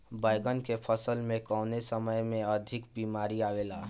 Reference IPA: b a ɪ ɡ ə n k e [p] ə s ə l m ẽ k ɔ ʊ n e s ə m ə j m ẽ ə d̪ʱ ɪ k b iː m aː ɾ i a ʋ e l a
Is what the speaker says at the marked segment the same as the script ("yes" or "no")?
no